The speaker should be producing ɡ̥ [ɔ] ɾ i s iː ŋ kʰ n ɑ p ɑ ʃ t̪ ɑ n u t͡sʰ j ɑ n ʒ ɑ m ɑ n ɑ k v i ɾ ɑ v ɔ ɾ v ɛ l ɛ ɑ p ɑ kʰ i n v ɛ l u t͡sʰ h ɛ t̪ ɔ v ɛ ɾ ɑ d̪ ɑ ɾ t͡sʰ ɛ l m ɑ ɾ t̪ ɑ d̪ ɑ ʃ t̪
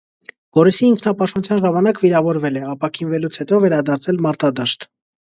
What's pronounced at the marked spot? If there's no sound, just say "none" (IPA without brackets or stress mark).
ɔ